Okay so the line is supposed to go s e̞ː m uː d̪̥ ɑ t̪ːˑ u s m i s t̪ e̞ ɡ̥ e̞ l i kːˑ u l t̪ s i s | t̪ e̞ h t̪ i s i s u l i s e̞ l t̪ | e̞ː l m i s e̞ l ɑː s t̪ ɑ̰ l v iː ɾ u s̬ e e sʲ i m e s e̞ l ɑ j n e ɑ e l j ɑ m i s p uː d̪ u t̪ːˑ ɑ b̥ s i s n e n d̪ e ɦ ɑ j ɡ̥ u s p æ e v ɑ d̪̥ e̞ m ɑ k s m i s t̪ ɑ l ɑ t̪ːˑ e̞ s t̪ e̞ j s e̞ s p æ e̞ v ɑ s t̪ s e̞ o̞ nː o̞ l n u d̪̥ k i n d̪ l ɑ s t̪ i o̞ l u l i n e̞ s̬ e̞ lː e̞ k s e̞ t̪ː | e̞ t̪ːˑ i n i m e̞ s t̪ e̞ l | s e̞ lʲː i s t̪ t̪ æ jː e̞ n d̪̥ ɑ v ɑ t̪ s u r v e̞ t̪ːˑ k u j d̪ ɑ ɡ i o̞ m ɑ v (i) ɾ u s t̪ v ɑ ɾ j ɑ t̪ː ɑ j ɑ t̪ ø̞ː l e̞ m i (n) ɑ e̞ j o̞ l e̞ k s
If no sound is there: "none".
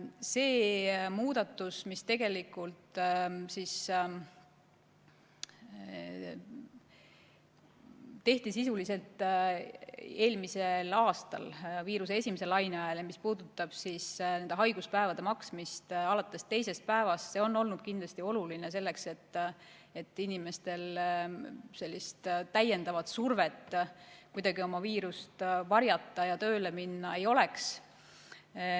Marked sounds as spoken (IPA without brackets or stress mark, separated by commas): iː, nː